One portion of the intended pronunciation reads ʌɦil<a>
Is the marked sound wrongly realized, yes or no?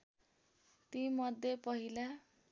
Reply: no